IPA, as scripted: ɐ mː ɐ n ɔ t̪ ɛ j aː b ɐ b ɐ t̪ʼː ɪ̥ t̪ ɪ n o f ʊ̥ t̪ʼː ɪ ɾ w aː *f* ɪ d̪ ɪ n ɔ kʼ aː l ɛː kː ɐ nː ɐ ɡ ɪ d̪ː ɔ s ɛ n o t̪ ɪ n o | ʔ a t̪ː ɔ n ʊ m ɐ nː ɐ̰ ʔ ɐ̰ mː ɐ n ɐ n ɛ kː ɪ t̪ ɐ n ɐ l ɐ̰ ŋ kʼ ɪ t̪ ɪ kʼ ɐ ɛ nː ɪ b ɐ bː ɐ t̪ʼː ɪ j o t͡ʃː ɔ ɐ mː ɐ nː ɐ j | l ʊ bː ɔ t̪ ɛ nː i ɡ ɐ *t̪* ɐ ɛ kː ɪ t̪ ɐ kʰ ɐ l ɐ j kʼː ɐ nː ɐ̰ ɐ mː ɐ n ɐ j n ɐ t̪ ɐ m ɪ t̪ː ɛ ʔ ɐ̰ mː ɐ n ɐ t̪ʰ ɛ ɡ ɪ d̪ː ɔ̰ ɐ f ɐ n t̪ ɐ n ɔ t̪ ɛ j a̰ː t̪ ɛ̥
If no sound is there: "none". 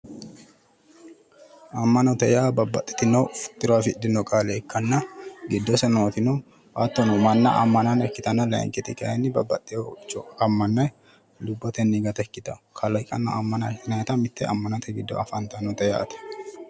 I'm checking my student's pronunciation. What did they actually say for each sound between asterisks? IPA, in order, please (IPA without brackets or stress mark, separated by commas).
f, t̪